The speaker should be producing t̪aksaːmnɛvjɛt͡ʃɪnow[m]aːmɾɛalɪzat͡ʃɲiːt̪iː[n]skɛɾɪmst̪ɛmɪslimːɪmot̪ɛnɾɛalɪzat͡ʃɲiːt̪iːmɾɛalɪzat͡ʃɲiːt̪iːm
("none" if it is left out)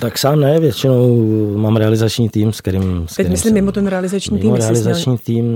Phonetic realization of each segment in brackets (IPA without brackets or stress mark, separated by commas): m, m